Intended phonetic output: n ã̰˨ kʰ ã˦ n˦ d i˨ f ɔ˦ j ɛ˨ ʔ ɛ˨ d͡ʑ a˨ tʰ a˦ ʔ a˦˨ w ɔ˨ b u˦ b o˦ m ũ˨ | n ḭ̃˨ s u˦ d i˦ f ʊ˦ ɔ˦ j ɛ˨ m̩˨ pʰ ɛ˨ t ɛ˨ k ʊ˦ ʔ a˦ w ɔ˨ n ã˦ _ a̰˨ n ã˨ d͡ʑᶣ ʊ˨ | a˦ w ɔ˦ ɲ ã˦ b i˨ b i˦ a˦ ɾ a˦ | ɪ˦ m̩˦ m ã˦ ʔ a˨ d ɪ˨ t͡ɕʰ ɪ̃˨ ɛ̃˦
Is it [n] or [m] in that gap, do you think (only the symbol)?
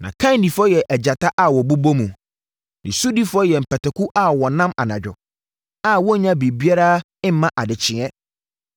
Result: m